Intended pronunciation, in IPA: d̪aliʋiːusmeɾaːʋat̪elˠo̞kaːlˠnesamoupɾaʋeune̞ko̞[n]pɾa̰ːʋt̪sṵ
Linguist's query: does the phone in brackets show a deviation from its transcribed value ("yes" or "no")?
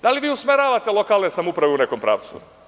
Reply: yes